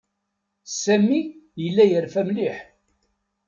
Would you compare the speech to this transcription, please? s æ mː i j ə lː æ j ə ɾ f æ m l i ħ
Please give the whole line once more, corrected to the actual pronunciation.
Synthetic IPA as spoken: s æ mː i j ə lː æ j ə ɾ f æ m l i ħ

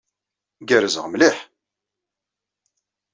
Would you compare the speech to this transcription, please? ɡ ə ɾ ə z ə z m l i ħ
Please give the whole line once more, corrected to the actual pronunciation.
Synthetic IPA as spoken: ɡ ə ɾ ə z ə ʁ m l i ħ

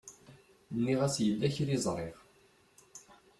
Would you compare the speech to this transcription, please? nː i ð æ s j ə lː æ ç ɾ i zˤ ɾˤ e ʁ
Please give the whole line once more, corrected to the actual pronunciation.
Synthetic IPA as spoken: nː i ʁ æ s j ə lː æ ç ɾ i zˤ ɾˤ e ʁ

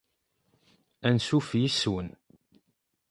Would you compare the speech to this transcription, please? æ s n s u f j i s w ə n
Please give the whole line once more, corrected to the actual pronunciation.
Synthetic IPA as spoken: æ n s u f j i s w ə n

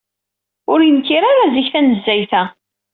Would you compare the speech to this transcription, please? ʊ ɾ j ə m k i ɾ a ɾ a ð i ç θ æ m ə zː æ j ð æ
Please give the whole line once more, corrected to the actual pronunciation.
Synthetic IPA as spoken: ʊ ɾ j ə m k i ɾ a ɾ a z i ç θ æ n ə zː æ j θ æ

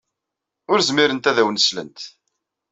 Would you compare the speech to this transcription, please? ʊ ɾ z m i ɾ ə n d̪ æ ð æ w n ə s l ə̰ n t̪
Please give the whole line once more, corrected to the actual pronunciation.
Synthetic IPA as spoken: ʊ ɾ z m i ɾ ə n t̪ æ ð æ w n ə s l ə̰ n t̪

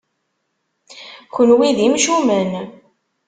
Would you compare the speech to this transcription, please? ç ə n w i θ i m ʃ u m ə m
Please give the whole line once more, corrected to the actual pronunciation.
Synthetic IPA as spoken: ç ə n w i ð i m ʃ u m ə n

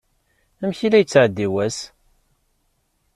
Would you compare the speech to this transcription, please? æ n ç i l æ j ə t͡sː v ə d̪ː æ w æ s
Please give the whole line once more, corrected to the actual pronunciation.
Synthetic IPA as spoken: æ m ç i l æ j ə t͡sː ʕ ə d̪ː i w æ s

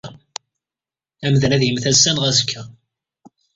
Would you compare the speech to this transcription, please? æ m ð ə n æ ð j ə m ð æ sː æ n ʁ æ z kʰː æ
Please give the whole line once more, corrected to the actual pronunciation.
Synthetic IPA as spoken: æ m ð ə n æ ð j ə m θ æ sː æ n ʁ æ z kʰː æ

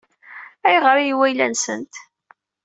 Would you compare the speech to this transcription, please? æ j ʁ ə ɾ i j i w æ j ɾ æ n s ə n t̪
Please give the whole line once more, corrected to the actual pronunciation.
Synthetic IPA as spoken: æ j ʁ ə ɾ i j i w æ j l æ n s ə n t̪

